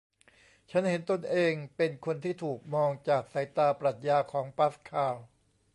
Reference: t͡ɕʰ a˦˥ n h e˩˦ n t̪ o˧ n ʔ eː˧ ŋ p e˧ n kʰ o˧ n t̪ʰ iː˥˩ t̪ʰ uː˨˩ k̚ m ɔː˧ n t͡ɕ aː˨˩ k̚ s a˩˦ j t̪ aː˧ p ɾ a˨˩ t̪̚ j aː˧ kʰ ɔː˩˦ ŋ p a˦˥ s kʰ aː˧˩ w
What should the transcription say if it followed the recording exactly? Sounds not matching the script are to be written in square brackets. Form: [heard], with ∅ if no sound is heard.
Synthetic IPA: t͡ɕʰ a˦˥ n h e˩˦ n t̪ o˧ n ʔ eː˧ ŋ p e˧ n kʰ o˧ n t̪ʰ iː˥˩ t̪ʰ uː˨˩ k̚ m ɔː˧ [ŋ] t͡ɕ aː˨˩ k̚ s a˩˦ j t̪ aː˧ p ɾ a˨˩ t̪̚ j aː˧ kʰ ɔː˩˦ ŋ p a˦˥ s kʰ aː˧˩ w